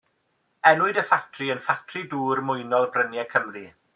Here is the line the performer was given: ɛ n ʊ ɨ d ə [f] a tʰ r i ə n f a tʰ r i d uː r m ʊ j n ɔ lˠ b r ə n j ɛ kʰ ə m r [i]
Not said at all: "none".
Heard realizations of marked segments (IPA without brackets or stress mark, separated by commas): f, i